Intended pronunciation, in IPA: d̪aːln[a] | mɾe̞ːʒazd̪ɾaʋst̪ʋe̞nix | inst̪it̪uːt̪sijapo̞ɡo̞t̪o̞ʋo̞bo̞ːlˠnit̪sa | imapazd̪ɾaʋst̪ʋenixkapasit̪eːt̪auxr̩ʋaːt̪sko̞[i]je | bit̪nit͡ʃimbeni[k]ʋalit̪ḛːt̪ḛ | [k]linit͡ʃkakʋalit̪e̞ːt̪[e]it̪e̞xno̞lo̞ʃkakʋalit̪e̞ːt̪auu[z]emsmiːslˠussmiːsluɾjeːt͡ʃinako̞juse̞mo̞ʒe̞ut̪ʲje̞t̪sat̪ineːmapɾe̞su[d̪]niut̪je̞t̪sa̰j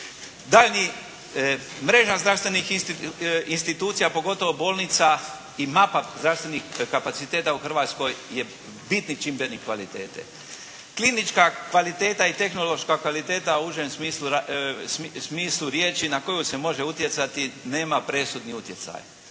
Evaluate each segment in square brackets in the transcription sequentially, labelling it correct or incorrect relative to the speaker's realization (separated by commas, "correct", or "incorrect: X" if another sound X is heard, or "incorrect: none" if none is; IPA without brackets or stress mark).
incorrect: i, incorrect: j, correct, correct, incorrect: a, incorrect: ʒ, correct